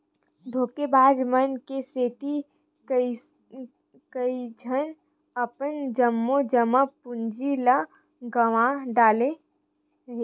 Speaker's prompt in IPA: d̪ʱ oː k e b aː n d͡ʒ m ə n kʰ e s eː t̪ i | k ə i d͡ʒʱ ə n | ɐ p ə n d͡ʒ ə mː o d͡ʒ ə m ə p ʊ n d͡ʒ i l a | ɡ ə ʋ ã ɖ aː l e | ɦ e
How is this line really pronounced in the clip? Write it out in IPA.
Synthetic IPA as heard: d̪ʱ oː k e b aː d͡ʒ m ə n k e s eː t̪ i | k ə i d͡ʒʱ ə n | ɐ p ə n d͡ʒ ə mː o d͡ʒ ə m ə p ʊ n d͡ʒ i l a | ɡ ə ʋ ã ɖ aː l e | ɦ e